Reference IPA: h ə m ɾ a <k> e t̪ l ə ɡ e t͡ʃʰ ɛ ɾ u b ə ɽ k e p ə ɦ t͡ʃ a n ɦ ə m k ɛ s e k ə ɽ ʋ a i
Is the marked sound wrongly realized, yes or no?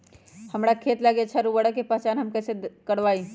yes